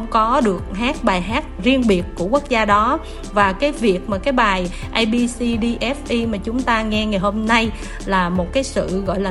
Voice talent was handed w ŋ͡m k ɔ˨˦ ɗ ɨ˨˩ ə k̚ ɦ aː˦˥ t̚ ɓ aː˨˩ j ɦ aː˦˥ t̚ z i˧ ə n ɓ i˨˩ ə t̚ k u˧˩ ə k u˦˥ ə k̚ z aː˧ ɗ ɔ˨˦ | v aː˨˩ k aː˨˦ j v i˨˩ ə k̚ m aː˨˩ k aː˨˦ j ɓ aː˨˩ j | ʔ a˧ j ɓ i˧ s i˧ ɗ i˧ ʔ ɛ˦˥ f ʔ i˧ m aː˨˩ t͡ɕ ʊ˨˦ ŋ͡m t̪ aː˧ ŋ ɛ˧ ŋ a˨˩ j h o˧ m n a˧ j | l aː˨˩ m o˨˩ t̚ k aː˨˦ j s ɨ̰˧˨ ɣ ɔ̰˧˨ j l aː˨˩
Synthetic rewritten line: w ŋ͡m k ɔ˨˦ ɗ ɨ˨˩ ə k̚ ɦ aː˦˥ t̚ ɓ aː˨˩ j ɦ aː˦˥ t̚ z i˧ ə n ɓ i˨˩ ə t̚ k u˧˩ ə k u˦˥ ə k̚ z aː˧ ɗ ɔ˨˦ | v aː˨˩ k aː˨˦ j v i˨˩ ə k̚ m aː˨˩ k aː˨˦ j ɓ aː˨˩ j | ʔ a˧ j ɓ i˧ s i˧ ɗ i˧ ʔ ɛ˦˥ f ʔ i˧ m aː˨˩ t͡ɕ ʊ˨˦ ŋ͡m t̪ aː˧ ŋ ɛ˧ ŋ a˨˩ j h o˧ m n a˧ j | l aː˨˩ m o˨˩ t̚ k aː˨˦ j s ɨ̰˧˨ ɣ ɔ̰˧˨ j l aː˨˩